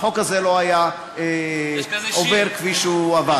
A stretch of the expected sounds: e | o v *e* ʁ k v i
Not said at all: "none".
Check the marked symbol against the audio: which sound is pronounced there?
e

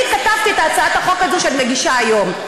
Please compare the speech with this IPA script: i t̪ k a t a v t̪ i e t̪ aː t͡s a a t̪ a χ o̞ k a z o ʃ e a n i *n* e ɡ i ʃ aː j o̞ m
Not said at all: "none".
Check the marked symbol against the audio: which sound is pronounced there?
m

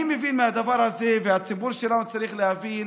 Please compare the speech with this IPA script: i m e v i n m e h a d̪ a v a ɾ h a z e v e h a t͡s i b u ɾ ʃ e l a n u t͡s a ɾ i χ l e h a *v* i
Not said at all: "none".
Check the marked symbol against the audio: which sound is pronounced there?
v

